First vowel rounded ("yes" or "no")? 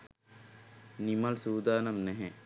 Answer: no